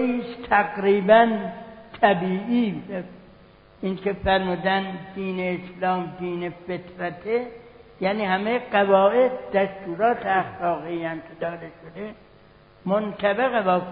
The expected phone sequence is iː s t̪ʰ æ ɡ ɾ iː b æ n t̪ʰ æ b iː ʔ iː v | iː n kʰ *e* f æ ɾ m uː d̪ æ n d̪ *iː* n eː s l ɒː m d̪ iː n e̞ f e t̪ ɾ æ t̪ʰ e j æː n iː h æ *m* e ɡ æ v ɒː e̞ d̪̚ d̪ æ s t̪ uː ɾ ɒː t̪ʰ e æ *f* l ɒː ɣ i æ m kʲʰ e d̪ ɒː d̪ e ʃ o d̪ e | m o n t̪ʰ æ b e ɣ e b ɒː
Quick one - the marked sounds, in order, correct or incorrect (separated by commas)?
correct, correct, correct, incorrect